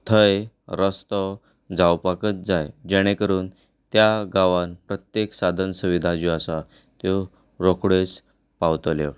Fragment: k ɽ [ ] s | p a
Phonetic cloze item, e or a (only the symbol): e